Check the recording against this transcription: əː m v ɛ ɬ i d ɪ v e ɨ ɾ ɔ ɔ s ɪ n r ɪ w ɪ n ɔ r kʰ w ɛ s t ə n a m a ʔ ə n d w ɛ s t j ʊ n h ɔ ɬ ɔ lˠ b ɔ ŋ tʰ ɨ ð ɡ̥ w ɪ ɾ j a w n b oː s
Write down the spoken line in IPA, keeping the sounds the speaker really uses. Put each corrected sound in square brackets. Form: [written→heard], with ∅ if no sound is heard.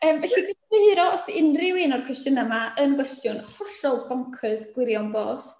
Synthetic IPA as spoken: əː m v ɛ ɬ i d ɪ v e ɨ ɾ ɔ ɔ s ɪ n r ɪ w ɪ n ɔ r kʰ w ɛ s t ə n a m a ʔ ə n [d→ɡ] w ɛ s t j ʊ n h ɔ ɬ ɔ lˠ b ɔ ŋ [tʰ→kʰ] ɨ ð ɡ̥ w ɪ ɾ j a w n b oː s